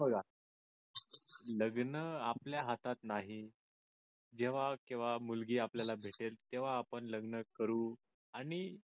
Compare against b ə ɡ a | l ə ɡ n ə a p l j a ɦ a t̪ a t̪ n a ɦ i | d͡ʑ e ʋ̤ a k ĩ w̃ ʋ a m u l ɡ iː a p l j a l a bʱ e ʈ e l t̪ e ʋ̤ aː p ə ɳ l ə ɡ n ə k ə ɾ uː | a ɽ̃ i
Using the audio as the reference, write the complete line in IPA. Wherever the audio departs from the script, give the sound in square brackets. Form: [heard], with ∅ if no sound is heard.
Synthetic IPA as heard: b ə ɡ a | l ə ɡ n ə a p l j a ɦ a t̪ a t̪ n a ɦ i | d͡ʑ e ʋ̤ a k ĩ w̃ ʋ a m u l ɡ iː a p l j a l a bʱ e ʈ e l t̪ e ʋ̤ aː p ə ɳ l ə ɡ n ə k ə ɾ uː | a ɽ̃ i

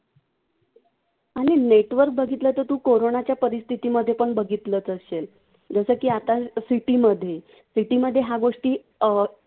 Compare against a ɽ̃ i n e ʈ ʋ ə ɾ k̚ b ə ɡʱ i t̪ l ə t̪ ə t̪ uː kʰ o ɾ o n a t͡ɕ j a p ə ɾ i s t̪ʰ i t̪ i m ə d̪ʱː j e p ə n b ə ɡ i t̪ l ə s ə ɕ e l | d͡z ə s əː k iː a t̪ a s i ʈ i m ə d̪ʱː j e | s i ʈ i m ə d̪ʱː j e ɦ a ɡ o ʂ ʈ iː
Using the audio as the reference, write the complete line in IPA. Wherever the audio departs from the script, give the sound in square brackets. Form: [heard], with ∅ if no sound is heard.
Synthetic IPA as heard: a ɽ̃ i n e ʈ ʋ ə ɾ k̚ b ə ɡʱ i t̪ l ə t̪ ə t̪ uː [k] o ɾ o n a t͡ɕ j a p ə ɾ i s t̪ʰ i t̪ i m ə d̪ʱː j e p ə [ɳ] b ə ɡ i t̪ l ə [t͡s] ə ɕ e l | d͡z ə s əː k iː a t̪ a s i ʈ i m ə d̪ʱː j e | s i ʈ i m ə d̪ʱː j e ɦ a ɡ o ʂ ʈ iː

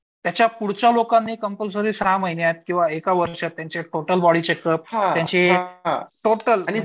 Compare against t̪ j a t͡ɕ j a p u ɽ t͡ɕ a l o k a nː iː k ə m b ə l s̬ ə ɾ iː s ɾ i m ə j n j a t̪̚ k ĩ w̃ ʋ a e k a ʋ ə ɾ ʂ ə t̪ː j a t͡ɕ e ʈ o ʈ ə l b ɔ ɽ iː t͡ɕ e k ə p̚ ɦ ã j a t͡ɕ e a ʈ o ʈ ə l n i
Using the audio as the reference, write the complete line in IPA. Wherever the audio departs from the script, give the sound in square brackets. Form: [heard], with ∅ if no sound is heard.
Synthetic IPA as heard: t̪ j a t͡ɕ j a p u ɽ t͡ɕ a l o k a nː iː k ə m [p] ə l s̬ ə ɾ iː s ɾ [a] m ə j n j a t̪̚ k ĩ w̃ ʋ a e k a ʋ ə ɾ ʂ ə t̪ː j a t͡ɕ e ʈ o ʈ ə l b ɔ ɽ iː t͡ɕ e k ə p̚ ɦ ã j a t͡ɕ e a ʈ o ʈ ə l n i

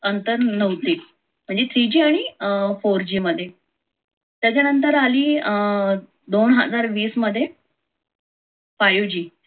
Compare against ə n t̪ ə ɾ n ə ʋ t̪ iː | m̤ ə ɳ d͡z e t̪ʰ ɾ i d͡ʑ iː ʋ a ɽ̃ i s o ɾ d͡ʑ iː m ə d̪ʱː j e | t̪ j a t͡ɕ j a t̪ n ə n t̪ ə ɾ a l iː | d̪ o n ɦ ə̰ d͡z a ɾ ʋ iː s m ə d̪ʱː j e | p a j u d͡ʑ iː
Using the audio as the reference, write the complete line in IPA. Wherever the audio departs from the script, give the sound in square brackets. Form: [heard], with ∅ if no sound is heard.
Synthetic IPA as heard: ə n t̪ ə ɾ n ə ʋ t̪ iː | m̤ ə ɳ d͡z e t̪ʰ ɾ i d͡ʑ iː [∅] a ɽ̃ i [f] o ɾ d͡ʑ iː m ə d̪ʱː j e | t̪ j a t͡ɕ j a [∅] n ə n t̪ ə ɾ a l iː | d̪ o n ɦ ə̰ d͡z a ɾ ʋ iː s m ə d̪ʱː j e | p a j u d͡ʑ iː

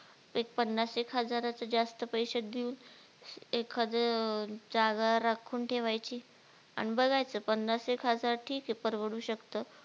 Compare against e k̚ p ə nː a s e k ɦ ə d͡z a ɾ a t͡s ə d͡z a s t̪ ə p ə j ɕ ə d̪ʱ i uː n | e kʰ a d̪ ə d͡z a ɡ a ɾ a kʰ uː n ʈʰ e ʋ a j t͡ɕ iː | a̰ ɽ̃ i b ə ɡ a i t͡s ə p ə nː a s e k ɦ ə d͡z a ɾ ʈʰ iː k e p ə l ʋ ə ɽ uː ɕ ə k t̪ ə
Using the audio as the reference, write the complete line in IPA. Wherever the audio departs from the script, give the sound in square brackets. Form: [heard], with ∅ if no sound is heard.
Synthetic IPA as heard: e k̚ p ə nː a s e k ɦ ə d͡z a ɾ a t͡s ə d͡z a s t̪ ə p ə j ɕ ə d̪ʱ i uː n | e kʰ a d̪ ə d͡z a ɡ a ɾ a kʰ uː n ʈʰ e ʋ a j t͡ɕ iː | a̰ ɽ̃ i b ə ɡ a [j] t͡s ə p ə nː a s e k ɦ ə d͡z a ɾ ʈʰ iː k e p ə [ɾ] ʋ ə ɽ uː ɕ ə k t̪ ə

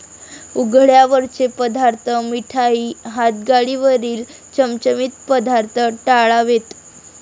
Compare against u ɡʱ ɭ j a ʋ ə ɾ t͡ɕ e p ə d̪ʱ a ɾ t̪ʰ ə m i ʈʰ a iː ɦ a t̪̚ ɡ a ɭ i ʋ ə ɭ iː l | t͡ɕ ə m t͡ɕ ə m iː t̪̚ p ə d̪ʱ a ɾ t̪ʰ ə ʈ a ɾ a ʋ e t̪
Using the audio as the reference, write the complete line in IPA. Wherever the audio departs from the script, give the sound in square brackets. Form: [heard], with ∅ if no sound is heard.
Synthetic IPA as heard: u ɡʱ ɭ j a ʋ ə ɾ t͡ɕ e p ə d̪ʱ a ɾ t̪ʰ ə m i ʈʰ a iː ɦ a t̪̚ ɡ a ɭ i ʋ ə [ɾ] iː l | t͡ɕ ə m t͡ɕ ə m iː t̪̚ p ə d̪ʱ a ɾ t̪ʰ ə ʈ a [ɭ] a ʋ e t̪

